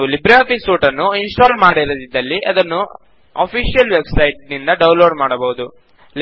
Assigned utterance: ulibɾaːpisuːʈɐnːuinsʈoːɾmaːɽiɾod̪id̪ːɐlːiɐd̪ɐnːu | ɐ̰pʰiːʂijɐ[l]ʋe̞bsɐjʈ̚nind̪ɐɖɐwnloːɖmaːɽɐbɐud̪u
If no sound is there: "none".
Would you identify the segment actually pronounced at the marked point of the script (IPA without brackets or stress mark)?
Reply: l